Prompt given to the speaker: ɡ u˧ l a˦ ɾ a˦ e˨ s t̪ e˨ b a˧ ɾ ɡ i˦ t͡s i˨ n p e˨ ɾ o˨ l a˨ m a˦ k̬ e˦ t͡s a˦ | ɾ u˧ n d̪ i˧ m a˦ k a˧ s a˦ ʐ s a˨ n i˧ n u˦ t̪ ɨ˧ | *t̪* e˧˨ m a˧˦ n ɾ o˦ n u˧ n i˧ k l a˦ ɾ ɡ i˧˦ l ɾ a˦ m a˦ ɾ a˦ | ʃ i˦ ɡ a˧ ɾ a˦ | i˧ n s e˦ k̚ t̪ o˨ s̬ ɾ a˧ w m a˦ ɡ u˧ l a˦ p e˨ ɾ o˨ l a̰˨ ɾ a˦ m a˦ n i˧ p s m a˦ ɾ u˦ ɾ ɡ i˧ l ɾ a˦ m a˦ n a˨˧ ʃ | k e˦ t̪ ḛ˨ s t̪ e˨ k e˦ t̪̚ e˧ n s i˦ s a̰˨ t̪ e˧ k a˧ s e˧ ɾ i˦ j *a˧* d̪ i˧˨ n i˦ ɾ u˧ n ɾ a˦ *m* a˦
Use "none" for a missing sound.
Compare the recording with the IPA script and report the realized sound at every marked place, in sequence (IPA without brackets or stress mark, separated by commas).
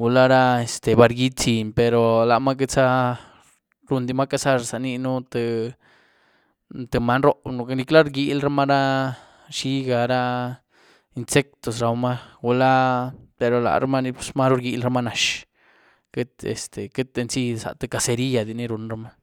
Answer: t̪, a˧, m